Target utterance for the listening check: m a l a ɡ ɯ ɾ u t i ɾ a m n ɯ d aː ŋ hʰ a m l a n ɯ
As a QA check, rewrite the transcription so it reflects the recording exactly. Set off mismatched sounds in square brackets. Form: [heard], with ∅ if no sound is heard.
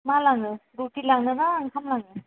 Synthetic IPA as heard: m a l a [ŋ] ɯ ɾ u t i [l] a [ŋ] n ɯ [n] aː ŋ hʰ a m l a [ŋ] ɯ